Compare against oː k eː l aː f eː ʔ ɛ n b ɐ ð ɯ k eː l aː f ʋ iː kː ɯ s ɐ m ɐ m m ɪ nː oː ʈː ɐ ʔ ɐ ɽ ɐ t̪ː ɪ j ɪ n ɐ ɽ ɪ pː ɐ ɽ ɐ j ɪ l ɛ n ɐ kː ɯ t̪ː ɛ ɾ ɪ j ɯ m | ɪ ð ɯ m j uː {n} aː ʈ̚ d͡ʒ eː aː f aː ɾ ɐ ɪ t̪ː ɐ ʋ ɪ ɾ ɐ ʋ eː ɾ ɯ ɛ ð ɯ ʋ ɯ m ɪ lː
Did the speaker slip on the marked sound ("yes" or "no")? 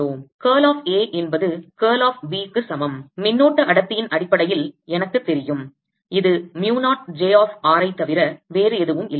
no